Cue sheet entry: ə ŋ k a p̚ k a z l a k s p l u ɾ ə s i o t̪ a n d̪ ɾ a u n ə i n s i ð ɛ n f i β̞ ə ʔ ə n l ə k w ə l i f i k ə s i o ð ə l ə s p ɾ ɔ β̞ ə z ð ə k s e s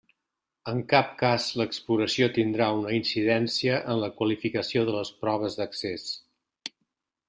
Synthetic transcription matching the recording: ə ŋ k a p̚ k a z l ə k s p l u ɾ ə s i o t̪ i n d̪ ɾ a u n ə i n s i ð ɛ n s i ə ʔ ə n l ə k w ə l i f i k ə s i o ð ə l ə s p ɾ ɔ β̞ ə z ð ə k s e s